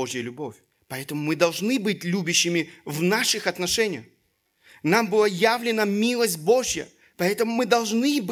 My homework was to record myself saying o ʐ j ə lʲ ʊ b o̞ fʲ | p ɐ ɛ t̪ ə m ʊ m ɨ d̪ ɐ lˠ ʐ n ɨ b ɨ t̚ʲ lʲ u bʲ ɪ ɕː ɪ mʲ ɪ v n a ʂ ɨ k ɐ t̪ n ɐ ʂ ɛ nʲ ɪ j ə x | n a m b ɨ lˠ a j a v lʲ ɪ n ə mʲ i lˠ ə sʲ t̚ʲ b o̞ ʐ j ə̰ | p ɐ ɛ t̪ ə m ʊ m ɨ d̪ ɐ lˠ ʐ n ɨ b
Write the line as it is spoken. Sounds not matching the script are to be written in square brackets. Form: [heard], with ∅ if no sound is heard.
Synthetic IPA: o ʐ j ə lʲ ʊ b o̞ fʲ | p ɐ ɛ t̪ ə m ʊ m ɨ d̪ ɐ lˠ ʐ n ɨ b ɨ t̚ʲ lʲ u bʲ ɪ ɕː ɪ mʲ ɪ v n a ʂ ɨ [x] ɐ t̪ n ɐ ʂ ɛ nʲ ɪ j ə x | n a m b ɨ lˠ a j a v lʲ ɪ n ə mʲ i lˠ ə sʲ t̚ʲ b o̞ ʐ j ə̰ | p ɐ ɛ t̪ ə m ʊ m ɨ d̪ ɐ lˠ ʐ n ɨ b